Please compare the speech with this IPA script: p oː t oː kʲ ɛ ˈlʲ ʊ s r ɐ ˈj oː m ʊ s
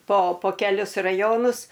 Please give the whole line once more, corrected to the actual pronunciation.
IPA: p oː p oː kʲ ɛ ˈlʲ ʊ s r ɐ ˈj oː n ʊ s